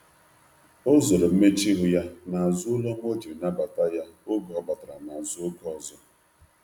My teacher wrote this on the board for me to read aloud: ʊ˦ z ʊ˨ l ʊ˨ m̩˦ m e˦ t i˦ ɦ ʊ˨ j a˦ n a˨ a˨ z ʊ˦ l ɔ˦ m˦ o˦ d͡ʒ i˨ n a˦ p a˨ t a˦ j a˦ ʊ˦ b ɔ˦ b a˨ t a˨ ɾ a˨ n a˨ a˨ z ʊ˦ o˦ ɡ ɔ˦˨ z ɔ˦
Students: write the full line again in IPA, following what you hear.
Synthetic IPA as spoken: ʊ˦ z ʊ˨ ɾ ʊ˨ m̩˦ m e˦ t͡ʃ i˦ ɦ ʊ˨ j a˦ n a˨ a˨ z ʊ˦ l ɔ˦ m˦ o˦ d͡ʒ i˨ n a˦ b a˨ t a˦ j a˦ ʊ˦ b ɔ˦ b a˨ t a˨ ɾ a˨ n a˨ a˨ z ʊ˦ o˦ ɡ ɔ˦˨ z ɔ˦